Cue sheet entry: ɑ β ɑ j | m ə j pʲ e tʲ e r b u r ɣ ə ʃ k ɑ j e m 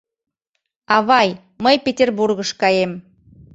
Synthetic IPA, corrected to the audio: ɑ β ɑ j | m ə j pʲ e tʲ e r b u r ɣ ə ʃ k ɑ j e m